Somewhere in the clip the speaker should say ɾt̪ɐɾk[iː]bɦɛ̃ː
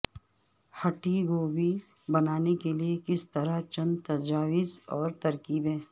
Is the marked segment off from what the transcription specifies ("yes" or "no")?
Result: no